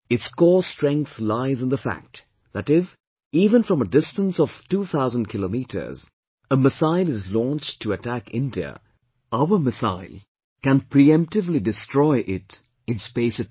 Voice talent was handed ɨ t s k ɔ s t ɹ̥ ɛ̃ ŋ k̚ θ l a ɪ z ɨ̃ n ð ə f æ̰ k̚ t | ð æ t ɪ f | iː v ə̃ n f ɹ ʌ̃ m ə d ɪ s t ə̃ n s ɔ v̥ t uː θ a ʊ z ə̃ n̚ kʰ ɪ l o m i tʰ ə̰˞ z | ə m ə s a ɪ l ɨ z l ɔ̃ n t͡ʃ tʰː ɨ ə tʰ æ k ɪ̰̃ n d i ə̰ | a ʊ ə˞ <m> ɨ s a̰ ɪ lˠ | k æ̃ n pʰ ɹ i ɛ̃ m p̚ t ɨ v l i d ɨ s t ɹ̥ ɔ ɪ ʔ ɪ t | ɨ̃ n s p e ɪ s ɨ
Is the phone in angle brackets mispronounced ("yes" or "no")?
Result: no